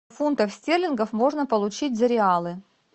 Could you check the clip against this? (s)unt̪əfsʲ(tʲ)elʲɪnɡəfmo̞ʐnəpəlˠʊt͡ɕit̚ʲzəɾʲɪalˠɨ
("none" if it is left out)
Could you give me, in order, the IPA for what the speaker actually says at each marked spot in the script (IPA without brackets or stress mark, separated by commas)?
f, tʲ